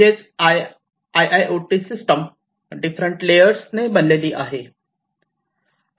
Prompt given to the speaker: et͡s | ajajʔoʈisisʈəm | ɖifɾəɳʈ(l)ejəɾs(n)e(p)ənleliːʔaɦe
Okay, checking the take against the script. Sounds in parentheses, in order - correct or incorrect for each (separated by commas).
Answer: correct, correct, incorrect